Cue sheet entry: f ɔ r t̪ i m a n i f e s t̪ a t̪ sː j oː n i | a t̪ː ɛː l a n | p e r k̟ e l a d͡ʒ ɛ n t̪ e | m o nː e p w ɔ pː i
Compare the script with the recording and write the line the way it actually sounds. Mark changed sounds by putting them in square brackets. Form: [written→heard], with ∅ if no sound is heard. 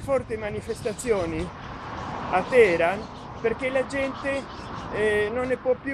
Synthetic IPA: f ɔ r t̪ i m a n i f e s t̪ a t̪ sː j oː n i | a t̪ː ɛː [l→ɾ] a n | p e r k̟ e l a d͡ʒ ɛ n t̪ e | [m→n] o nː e p w ɔ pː [i→j]